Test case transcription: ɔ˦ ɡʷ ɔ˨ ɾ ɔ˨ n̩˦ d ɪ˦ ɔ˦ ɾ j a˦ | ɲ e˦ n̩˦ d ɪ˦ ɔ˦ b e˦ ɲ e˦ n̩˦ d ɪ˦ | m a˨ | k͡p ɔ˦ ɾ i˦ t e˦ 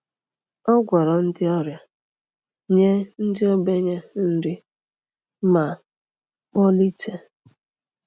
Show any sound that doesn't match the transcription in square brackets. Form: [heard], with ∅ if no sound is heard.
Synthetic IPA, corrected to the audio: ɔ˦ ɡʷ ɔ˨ ɾ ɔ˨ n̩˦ d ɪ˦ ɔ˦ ɾ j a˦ | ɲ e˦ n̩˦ d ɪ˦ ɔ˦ b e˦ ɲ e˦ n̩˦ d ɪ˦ | m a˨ | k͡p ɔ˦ [l] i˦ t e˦

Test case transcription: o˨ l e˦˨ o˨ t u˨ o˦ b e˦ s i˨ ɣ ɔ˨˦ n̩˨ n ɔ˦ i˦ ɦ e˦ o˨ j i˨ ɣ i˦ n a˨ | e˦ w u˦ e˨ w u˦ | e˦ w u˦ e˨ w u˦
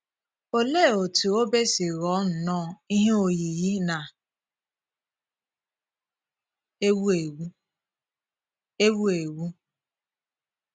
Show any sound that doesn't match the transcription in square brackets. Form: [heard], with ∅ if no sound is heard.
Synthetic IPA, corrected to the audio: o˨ l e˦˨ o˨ t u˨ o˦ b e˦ s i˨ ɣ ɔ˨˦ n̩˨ n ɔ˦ i˦ ɦ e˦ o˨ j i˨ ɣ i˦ n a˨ | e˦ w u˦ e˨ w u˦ | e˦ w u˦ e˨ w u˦

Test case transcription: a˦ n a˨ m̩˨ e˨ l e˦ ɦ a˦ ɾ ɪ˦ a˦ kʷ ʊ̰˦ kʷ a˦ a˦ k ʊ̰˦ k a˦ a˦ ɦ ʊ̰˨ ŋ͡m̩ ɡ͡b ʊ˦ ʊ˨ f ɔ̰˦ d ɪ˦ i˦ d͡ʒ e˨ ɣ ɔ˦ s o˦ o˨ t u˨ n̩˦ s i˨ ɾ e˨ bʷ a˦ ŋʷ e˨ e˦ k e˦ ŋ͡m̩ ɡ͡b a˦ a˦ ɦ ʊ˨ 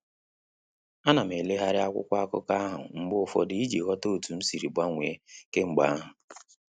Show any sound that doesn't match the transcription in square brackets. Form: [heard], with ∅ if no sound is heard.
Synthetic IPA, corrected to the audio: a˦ n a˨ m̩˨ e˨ l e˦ ɦ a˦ ɾ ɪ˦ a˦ kʷ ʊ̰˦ kʷ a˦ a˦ k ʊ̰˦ k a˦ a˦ ɦ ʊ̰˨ ŋ͡m̩ ɡ͡b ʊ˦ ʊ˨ f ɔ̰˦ d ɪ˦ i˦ d͡ʒ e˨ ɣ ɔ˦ [t] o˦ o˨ t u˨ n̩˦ s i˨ ɾ [i˨] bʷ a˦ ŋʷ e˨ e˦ k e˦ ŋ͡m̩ ɡ͡b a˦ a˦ ɦ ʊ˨

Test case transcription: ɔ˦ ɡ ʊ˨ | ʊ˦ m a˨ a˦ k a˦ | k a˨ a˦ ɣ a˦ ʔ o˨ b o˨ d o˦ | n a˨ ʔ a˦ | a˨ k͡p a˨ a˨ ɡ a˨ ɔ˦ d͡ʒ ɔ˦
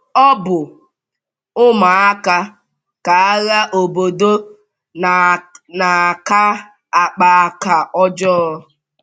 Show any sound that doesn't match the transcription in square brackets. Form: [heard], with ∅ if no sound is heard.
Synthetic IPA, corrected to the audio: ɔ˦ [b] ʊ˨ | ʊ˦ m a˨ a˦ k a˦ | k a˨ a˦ ɣ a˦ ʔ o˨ b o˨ d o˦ | n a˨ [k] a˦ | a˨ k͡p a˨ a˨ [k] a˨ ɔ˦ d͡ʒ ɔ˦

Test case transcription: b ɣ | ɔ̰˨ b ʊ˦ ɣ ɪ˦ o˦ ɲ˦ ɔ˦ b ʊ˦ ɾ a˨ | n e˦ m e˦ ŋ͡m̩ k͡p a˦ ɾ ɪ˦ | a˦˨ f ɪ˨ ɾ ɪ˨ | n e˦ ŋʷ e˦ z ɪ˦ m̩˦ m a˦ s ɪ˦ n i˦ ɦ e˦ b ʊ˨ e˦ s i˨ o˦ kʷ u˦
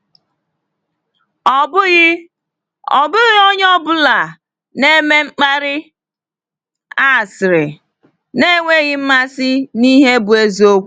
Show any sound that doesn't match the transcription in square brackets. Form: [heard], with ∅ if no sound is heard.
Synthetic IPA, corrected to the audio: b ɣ | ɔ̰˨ b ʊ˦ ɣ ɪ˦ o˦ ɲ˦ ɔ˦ b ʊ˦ [l] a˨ | n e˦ m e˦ ŋ͡m̩ k͡p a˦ ɾ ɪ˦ | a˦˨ [s] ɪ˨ ɾ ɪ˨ | n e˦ ŋʷ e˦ [ɣ] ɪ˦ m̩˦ m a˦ s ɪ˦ n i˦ ɦ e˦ b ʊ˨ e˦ [z] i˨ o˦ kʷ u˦

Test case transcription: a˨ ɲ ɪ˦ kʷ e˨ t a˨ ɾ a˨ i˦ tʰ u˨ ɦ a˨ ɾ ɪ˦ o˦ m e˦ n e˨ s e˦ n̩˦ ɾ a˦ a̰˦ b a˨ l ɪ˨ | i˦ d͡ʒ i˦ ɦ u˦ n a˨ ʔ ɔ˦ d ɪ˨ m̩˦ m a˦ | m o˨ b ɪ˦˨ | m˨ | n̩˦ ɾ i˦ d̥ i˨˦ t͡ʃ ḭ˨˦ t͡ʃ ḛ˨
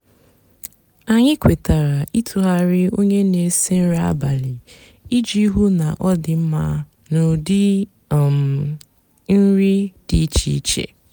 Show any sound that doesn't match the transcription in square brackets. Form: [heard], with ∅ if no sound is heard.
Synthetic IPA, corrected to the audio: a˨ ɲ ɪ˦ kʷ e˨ t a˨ ɾ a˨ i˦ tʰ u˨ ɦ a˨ ɾ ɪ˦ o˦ [ɲ] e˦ n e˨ s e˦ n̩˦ ɾ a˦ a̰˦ b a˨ l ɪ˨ | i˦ d͡ʒ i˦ ɦ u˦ n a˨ ʔ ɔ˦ d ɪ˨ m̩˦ m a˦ | [n] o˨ [d] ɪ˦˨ | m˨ | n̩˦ ɾ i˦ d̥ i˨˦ t͡ʃ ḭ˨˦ t͡ʃ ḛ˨

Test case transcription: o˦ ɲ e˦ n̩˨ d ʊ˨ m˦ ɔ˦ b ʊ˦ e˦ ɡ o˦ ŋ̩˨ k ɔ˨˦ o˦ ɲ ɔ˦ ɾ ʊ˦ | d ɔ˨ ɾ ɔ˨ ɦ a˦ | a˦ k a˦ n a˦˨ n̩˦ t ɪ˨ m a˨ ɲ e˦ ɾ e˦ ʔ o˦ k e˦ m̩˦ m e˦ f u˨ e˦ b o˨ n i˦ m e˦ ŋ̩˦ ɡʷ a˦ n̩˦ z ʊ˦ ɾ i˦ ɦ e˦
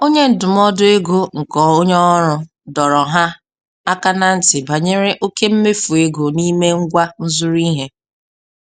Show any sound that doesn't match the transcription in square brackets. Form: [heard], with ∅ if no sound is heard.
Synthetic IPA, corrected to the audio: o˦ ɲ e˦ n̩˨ d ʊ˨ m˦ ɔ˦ [d] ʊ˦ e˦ ɡ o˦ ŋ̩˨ k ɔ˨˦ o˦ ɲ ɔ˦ ɾ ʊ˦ | d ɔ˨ ɾ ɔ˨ ɦ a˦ | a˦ k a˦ n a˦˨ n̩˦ t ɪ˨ [b] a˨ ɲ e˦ ɾ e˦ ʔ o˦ k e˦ m̩˦ m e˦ f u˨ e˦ [ɡ] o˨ n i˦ m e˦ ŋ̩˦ ɡʷ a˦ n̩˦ z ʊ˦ ɾ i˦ ɦ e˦

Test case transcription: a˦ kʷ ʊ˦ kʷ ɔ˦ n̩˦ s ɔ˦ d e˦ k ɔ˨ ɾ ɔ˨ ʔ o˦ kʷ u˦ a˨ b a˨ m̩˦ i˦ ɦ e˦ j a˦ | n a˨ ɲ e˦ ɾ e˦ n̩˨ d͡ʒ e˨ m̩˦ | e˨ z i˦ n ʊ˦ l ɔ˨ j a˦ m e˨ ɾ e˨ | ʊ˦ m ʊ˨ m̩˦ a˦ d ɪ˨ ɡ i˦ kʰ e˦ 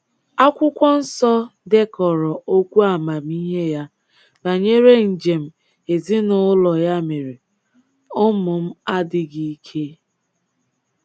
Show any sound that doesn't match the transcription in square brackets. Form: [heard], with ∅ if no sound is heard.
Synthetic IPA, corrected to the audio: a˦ kʷ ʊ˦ kʷ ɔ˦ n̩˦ s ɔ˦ d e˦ k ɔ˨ ɾ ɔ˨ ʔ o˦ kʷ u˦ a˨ [m] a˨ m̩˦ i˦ ɦ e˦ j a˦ | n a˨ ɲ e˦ ɾ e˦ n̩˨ d͡ʒ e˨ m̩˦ | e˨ z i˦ n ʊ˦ l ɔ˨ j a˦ m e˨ ɾ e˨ | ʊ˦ m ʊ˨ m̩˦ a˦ d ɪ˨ ɡ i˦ kʰ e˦

